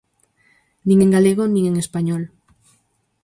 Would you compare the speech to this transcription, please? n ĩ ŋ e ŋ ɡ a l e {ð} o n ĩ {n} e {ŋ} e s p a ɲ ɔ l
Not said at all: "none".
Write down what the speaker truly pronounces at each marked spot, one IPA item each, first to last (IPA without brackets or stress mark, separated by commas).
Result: ɣ, ŋ, ŋ